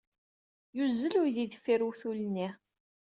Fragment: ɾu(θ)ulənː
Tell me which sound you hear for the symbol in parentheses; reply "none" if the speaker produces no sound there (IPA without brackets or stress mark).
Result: θ